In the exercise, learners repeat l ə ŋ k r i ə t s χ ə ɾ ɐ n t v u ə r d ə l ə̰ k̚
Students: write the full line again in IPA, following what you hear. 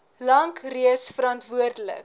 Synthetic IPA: l ɐ ŋ k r i ə t s f ə ɾ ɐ n t v u ə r d ə l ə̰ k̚